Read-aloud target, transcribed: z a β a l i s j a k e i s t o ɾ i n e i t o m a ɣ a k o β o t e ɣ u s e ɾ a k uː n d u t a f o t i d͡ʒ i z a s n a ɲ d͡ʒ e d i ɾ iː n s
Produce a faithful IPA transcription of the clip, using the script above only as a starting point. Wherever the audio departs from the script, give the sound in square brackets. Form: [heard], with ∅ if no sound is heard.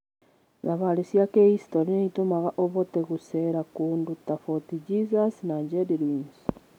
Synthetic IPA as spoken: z a β a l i s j a k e i s t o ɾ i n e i t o m a ɣ a [ʔ] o β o t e ɣ u s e ɾ a k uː n d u t a f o t i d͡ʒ i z a s n a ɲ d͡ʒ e d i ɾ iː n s